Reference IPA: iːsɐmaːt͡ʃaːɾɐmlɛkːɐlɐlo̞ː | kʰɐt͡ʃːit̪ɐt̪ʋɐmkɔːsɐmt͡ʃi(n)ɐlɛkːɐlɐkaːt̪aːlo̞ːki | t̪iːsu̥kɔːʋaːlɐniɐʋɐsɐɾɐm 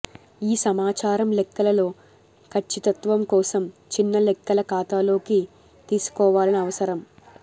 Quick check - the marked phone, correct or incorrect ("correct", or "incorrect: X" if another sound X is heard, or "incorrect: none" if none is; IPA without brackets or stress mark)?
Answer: incorrect: nː